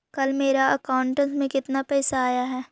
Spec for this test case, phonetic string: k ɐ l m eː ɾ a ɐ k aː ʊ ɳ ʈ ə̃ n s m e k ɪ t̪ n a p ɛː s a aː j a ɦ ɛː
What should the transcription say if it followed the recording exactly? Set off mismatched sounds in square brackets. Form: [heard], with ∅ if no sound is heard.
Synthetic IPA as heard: k ɐ l m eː ɾ a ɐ k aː ʊ ɳ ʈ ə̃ n s m [ẽ] k ɪ t̪ n a p ɛː s a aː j a ɦ ɛː